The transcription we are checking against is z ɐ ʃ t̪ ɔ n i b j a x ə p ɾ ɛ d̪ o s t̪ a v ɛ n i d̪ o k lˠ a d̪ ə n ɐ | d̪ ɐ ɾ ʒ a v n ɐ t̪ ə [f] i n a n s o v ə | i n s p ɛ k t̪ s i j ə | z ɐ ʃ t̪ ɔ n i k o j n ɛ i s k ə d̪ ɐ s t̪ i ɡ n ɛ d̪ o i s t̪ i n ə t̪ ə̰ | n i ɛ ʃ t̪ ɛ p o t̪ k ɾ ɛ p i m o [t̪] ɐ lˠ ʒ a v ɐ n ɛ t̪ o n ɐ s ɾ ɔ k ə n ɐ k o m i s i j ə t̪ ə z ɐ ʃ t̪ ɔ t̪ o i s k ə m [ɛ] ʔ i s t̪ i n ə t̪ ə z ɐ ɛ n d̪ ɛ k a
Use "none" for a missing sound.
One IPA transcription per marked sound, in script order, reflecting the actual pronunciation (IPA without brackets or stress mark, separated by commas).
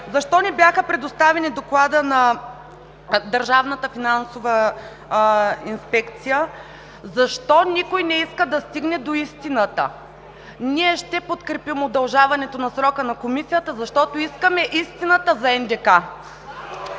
f, d̪, ɛ